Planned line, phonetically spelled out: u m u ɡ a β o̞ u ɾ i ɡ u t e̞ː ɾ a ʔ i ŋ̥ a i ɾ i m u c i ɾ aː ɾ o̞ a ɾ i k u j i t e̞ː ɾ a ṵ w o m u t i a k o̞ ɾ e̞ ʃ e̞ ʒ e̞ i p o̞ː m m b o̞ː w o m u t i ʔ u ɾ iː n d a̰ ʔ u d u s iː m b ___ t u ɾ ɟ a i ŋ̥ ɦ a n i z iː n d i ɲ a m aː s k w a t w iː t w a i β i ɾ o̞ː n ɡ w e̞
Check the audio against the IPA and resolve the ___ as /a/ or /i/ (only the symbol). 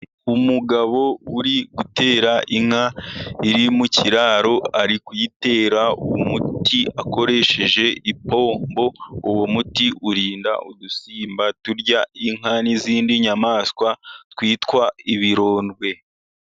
a